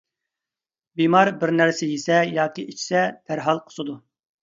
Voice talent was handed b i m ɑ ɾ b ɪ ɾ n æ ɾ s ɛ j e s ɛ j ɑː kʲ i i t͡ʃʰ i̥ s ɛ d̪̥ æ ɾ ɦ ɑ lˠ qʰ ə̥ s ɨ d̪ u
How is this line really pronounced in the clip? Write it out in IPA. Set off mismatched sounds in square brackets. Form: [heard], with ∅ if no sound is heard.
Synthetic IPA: b i m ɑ ɾ b ɪ ɾ n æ ɾ s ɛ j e s ɛ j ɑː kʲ i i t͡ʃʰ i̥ s ɛ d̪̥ æ ɾ ɦ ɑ lˠ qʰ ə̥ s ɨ d̪ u